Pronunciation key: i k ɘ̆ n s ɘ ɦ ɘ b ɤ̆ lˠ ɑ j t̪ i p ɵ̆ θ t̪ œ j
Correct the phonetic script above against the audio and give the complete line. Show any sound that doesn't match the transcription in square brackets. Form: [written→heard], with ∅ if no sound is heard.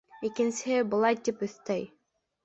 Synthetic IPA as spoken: i k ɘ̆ n s ɘ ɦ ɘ b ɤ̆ lˠ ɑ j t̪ i p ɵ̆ θ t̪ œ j